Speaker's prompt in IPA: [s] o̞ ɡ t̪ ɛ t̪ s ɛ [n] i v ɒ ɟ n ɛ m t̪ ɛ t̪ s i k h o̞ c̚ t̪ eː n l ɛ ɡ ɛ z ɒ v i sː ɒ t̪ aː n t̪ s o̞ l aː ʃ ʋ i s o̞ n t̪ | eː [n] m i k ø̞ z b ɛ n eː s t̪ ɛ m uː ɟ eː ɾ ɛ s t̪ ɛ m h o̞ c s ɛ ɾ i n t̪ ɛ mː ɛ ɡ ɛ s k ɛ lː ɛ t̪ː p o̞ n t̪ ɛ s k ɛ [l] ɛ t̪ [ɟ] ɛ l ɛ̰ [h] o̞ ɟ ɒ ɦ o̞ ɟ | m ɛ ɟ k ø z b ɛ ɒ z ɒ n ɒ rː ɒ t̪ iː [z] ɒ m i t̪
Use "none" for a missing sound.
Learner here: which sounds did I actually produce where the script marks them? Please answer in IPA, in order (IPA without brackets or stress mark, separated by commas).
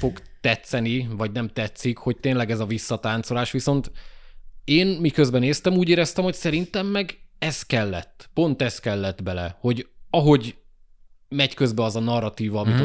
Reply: f, n, n, lː, b, h, v